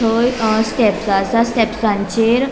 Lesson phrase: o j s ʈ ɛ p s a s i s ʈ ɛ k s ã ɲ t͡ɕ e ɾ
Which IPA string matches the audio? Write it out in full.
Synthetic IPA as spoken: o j s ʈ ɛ p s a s a s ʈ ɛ p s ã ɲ t͡ɕ e ɾ